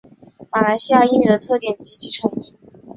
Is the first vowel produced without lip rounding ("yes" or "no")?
yes